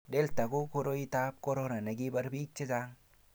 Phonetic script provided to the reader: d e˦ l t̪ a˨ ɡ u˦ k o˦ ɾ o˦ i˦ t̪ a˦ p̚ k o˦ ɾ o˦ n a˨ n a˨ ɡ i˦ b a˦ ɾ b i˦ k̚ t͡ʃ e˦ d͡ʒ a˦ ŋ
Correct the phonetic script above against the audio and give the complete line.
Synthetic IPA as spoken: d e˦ l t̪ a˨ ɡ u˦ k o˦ ɾ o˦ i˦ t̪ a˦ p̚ k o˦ ɾ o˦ n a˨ n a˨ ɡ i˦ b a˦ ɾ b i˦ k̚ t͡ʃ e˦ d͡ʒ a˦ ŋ